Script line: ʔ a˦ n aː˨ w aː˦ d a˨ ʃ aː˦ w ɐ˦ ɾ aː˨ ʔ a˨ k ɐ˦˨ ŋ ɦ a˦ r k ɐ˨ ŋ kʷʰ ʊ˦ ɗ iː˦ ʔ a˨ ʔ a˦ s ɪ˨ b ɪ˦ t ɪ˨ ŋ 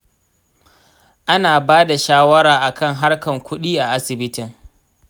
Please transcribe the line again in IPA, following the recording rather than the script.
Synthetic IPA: ʔ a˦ n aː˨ b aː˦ d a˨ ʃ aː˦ w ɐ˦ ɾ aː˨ ʔ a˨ k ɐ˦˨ ŋ ɦ a˦ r k ɐ˨ ŋ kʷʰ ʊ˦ ɗ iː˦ ʔ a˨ ʔ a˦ s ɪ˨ b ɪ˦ t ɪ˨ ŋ